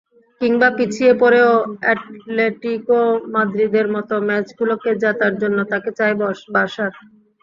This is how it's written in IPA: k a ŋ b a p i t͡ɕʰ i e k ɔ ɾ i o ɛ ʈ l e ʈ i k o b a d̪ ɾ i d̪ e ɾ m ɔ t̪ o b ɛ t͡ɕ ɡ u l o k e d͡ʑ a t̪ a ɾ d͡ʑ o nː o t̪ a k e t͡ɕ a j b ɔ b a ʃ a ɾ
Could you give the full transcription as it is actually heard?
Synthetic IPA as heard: k i ŋ b a p i t͡ɕʰ i e p ɔ ɾ e o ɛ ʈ l e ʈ i k o m a d̪ ɾ i d̪ e ɾ m ɔ t̪ o m ɛ t͡ɕ ɡ u l o k e d͡ʑ a t̪ a ɾ d͡ʑ o nː o t̪ a k e t͡ɕ a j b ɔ b a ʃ a ɾ